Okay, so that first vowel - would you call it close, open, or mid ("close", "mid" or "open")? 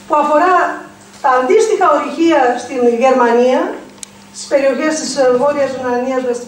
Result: close